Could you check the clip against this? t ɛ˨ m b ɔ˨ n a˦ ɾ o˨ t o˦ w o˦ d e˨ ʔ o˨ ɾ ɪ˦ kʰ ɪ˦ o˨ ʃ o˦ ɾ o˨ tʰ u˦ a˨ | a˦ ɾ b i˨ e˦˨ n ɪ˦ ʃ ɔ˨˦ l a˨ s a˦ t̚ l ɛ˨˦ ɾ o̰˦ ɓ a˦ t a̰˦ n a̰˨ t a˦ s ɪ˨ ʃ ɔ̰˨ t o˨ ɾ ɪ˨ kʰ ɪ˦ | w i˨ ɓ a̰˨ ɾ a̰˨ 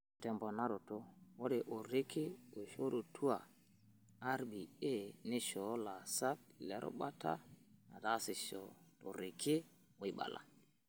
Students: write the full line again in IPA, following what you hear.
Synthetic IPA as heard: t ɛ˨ m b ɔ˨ n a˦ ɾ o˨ t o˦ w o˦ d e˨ ʔ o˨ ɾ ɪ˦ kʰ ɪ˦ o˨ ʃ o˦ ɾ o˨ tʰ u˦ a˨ | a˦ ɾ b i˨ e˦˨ n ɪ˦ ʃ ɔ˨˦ l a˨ s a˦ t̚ l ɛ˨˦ ɾ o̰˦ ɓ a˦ t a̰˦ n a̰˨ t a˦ s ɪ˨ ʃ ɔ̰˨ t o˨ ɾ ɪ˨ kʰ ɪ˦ | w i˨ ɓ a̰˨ l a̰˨